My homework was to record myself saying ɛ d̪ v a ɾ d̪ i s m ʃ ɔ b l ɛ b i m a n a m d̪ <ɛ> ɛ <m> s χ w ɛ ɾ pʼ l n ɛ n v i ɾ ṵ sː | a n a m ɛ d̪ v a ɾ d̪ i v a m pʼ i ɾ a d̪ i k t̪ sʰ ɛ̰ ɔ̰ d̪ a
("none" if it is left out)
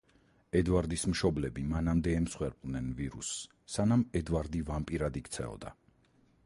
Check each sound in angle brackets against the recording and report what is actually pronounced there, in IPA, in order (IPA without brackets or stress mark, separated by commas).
ɛ, m